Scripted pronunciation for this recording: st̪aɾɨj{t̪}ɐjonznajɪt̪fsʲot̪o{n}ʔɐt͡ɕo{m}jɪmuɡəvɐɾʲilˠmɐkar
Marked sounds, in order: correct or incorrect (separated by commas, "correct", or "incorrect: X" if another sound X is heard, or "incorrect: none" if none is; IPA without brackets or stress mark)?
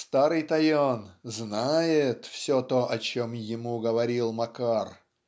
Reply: correct, incorrect: none, correct